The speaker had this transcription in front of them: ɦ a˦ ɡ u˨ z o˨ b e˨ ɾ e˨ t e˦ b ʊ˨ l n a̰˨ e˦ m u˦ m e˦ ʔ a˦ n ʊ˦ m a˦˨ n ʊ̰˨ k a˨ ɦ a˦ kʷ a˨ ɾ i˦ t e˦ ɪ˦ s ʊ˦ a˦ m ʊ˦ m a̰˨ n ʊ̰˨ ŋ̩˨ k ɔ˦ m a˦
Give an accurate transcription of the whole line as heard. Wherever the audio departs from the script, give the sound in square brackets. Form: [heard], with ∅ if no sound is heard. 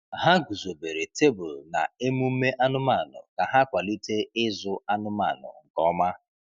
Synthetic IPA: ɦ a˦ ɡ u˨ z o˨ b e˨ ɾ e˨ t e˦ b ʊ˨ l n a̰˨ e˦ m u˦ m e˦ ʔ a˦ n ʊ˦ m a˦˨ n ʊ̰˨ k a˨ ɦ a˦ kʷ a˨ [l] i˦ t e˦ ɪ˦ [z] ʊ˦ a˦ [n] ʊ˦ m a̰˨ n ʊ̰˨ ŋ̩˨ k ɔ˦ m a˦